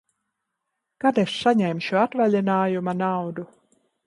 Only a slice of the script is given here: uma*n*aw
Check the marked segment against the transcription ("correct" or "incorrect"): correct